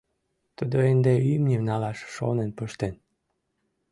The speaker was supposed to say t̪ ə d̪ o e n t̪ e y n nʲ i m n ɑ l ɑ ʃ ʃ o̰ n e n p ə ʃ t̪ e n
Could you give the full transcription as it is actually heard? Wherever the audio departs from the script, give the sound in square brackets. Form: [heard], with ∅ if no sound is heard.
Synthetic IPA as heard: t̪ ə d̪ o e n [d̪] e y [m] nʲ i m n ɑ l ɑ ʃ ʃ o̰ n e n p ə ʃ t̪ e n